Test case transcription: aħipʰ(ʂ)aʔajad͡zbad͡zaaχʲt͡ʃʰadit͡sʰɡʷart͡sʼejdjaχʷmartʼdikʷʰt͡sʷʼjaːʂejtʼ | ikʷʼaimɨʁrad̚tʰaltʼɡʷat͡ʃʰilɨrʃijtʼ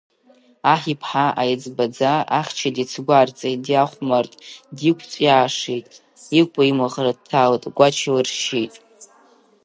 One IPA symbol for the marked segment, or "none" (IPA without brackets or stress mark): ħ